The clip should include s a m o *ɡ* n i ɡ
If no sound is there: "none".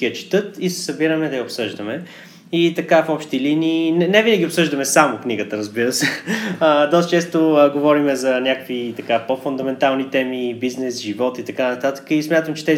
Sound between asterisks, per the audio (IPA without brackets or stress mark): k